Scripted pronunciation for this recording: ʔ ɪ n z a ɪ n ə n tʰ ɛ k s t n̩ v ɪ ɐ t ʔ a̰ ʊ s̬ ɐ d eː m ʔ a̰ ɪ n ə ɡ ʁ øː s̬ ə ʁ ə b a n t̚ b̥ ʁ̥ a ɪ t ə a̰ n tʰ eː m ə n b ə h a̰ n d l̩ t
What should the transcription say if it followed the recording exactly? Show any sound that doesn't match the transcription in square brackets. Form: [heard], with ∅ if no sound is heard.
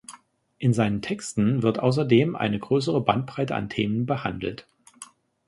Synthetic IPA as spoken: ʔ ɪ n z a ɪ n ə n tʰ ɛ k s t n̩ v ɪ ɐ t ʔ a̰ ʊ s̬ ɐ d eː m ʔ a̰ ɪ n ə ɡ ʁ øː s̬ ə ʁ ə b a n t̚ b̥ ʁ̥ a ɪ t ə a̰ n tʰ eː m ə n b ə h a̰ n d l̩ t